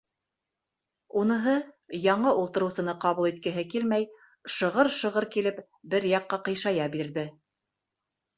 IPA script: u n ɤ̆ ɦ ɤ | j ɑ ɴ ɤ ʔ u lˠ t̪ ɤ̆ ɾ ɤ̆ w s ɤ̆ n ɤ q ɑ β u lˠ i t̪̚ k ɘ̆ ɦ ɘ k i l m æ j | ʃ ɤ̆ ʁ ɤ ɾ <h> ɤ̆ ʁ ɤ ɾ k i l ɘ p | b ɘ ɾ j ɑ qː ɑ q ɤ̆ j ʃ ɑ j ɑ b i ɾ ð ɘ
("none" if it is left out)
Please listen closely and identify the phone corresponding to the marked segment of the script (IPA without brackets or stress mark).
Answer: ʃ